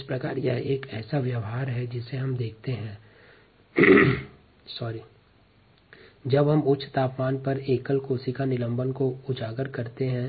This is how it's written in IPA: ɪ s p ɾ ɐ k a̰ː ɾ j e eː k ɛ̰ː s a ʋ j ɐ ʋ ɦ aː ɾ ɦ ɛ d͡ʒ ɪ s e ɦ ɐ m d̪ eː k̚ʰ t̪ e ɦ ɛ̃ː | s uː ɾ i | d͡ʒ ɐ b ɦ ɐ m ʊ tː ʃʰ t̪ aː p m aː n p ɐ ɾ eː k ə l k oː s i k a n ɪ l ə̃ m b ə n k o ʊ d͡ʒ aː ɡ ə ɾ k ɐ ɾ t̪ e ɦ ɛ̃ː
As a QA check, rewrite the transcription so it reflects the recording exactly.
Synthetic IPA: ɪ s p ɾ ɐ k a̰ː ɾ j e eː k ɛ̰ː s a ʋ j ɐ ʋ ɦ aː ɾ ɦ ɛ d͡ʒ ɪ s e ɦ ɐ m d̪ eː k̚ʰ t̪ e ɦ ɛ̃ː | s ɔː ɾ i | d͡ʒ ɐ b ɦ ɐ m ʊ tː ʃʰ t̪ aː p m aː n p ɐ ɾ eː k ə l k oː s i k a n ɪ l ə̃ m b ə n k o ʊ d͡ʒ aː ɡ ə ɾ k ɐ ɾ t̪ e ɦ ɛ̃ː